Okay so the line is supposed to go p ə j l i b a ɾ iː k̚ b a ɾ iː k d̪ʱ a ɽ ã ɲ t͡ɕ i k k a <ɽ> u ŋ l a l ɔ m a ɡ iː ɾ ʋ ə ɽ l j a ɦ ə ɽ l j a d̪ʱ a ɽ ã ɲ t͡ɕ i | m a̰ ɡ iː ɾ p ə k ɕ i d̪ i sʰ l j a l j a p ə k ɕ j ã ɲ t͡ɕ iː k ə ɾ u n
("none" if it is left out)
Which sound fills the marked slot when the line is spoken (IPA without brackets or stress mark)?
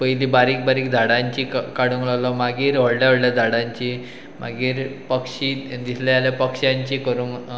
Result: ɽ